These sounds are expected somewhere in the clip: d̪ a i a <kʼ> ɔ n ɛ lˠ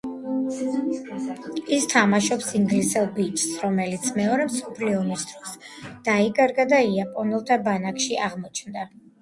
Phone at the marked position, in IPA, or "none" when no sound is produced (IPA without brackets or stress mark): pʼ